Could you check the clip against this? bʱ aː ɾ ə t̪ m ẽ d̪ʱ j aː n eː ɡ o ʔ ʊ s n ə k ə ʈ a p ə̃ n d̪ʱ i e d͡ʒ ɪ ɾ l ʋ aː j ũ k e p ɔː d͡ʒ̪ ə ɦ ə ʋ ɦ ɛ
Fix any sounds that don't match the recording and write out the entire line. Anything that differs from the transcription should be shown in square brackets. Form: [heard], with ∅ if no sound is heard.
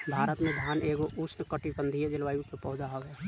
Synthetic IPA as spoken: bʱ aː ɾ ə t̪ m ẽ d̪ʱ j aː n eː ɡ o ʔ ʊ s n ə k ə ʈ [i] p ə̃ n d̪ʱ i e d͡ʒ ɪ [∅] l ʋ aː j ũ k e p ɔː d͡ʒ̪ [a] ɦ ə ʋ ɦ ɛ